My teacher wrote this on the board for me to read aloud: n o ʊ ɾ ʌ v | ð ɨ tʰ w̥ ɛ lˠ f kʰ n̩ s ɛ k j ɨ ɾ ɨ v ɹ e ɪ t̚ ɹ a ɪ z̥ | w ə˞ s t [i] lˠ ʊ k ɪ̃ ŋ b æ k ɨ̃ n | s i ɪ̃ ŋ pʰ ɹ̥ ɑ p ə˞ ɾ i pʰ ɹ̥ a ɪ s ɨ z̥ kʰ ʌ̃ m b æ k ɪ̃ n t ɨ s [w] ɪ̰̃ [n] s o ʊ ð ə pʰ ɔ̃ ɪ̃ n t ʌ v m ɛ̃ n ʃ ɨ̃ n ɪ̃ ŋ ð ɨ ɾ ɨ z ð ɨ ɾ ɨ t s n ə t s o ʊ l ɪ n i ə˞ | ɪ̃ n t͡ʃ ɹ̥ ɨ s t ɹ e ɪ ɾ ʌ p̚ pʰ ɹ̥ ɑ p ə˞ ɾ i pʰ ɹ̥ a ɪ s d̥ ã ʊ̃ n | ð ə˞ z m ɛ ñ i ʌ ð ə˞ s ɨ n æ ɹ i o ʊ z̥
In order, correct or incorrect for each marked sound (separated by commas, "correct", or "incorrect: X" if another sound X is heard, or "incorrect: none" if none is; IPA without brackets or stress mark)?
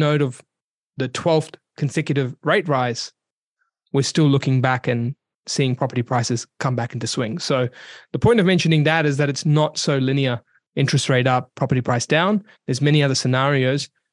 incorrect: ɪ, correct, incorrect: ŋ